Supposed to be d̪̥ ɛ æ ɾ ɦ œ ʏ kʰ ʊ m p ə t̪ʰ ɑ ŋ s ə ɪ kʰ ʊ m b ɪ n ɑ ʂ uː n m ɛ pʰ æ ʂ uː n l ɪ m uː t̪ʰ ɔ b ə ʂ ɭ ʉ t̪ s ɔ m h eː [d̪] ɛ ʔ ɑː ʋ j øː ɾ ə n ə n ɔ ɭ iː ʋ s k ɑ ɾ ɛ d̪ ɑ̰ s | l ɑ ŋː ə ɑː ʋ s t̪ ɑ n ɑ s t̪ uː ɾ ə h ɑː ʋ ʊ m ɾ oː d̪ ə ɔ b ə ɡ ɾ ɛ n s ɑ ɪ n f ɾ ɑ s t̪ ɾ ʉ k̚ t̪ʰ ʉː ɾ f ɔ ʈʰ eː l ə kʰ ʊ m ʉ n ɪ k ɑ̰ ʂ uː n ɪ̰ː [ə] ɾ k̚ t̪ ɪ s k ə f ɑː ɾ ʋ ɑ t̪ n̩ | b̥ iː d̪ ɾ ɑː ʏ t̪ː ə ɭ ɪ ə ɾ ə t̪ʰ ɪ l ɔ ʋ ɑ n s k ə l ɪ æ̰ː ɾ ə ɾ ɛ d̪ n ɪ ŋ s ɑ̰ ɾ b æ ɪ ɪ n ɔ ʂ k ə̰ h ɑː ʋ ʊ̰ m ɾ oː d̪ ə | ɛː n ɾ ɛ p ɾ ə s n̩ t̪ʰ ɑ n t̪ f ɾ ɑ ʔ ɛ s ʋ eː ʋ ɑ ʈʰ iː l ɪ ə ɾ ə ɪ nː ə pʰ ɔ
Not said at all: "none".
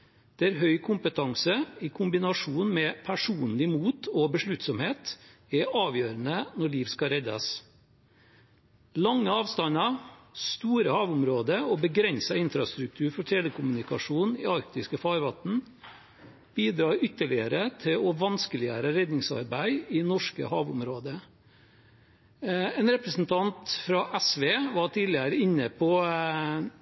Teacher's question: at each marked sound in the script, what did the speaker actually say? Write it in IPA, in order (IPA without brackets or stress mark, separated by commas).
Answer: t̪, ɑ